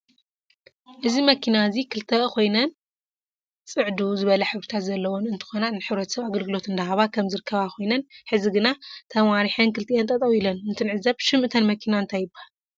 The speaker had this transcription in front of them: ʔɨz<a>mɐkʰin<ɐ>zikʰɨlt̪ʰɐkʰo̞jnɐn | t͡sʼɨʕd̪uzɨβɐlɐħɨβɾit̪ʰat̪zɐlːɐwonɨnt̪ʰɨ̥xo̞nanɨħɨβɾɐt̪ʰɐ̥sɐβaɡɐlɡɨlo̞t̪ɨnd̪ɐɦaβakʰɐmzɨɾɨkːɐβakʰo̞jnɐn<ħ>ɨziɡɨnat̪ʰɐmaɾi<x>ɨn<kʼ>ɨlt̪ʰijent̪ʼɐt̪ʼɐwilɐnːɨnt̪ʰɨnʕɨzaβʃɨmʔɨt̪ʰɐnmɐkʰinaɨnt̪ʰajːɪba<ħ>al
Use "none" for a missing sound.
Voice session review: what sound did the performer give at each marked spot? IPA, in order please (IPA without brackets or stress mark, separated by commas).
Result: i, a, ħ, ħ, k, h